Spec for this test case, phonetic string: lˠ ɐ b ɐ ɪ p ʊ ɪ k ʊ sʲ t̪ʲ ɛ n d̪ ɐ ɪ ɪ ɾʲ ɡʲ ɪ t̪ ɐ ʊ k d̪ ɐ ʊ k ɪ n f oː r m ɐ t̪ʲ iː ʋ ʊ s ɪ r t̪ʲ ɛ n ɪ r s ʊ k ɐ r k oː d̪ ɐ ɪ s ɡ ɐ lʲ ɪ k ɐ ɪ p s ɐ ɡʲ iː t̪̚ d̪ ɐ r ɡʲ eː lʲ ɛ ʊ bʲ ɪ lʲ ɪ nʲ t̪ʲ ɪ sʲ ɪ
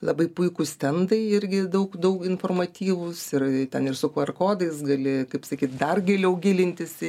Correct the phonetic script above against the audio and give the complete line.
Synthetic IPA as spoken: lˠ ɐ b ɐ ɪ p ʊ ɪ k ʊ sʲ t̪ʲ ɛ n d̪ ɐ ɪ ɪ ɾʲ ɡʲ ɪ d̪ ɐ ʊ k d̪ ɐ ʊ k ɪ n f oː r m ɐ t̪ʲ iː ʋ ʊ s ɪ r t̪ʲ ɛ n ɪ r s ʊ k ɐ r k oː d̪ ɐ ɪ s ɡ ɐ lʲ ɪ k ɐ ɪ p s ɐ kʲ iː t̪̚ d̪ ɐ r ɡʲ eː lʲ ɛ ʊ ɡʲ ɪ lʲ ɪ nʲ t̪ʲ ɪ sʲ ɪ